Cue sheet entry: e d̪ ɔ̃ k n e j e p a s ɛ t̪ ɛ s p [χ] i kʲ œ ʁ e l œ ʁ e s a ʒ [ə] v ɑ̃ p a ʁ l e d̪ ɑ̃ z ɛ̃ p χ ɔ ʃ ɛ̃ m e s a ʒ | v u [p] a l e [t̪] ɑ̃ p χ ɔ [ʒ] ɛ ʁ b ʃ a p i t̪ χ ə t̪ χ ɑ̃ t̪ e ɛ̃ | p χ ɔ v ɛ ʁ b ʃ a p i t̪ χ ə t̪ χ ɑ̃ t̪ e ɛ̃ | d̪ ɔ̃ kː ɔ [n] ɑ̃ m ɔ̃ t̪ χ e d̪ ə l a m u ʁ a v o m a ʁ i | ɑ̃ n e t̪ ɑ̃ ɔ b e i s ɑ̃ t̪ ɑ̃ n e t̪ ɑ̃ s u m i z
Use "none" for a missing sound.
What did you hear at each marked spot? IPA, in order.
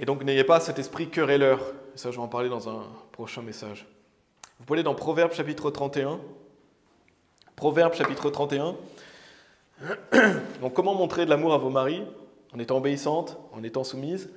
χ, ə, p, d̪, v, m

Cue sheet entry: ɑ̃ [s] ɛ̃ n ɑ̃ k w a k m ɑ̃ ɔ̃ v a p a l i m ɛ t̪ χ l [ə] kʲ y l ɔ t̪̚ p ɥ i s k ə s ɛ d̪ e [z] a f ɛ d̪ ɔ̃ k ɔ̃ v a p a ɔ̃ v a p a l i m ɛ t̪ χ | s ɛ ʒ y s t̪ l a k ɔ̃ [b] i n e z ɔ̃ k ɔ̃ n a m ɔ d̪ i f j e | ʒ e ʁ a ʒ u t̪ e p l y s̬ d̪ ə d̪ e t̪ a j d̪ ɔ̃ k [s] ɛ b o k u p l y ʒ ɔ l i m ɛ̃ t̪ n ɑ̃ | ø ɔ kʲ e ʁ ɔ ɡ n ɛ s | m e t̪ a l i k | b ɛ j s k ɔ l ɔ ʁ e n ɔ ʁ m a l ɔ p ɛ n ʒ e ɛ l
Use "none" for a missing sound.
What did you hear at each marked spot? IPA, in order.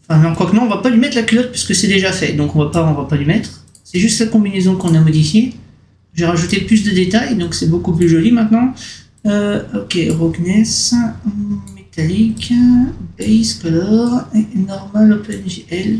f, a, ʒ, b, s

